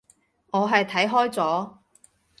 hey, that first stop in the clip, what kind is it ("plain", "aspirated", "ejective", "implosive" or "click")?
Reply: aspirated